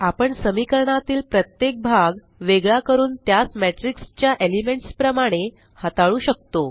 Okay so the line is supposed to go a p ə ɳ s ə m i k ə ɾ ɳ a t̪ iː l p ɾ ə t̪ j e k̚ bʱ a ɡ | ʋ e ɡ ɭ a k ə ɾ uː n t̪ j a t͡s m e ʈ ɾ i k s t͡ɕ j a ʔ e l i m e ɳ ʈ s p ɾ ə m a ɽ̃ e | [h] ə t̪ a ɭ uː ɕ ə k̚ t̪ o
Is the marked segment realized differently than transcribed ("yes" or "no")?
no